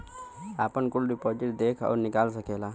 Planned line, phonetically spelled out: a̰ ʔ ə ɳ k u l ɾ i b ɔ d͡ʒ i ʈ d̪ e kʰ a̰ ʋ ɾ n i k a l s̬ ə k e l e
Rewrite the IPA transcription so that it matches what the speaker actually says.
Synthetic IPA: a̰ p ə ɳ k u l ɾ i p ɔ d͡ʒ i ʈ d̪ e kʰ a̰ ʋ ɾ n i k a l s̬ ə k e l a